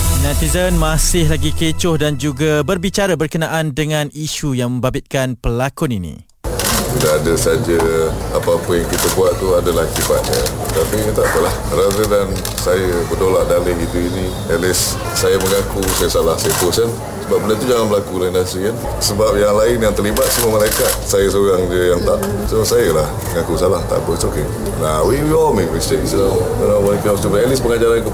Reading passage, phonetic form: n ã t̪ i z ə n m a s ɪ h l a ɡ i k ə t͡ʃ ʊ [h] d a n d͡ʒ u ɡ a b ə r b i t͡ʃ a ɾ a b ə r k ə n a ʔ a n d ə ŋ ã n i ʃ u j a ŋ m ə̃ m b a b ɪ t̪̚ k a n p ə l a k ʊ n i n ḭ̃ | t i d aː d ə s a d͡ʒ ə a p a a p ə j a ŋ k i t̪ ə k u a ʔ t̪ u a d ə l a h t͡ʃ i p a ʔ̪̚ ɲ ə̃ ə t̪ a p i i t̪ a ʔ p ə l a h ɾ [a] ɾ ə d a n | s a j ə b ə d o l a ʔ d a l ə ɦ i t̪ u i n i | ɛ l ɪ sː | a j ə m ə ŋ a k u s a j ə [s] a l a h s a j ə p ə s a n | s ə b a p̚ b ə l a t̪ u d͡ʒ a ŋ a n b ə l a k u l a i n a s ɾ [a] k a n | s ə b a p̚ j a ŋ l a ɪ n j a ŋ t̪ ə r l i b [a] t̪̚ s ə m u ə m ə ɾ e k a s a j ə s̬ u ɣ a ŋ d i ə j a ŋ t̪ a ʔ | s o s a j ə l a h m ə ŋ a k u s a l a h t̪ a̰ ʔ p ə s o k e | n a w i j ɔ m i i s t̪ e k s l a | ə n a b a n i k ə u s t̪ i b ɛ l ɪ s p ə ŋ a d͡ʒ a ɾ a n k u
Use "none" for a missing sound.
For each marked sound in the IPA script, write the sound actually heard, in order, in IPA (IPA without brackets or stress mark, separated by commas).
h, a, s, i, a